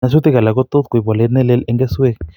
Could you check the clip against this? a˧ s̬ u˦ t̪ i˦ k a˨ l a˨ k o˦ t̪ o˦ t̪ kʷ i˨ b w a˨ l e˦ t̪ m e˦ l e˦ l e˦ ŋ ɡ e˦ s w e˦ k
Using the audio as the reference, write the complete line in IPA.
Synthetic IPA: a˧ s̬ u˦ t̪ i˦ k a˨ l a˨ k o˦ t̪ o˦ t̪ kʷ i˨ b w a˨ l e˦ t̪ n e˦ l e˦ l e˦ ŋ ɡ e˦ s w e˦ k